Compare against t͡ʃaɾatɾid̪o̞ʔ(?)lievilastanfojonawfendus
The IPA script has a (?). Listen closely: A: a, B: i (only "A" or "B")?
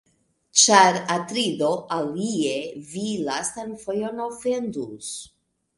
A